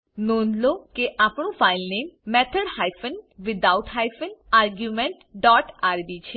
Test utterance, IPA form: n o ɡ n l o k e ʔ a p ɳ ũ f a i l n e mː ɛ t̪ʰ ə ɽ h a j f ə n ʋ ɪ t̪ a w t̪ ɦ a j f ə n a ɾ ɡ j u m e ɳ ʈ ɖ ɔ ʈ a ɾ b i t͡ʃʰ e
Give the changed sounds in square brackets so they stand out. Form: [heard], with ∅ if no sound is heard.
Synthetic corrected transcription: n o [∅] n l o k e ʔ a p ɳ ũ f a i l n e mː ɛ t̪ʰ ə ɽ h a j f ə n ʋ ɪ [d̪] a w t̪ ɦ a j f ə n a ɾ ɡ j u m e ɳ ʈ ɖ ɔ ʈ a ɾ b i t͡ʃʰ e